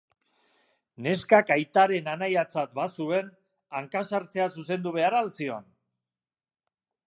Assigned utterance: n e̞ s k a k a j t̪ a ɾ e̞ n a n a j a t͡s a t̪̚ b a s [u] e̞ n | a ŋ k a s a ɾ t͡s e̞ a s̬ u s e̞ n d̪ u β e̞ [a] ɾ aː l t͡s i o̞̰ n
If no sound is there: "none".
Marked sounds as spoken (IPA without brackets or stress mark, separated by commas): u, a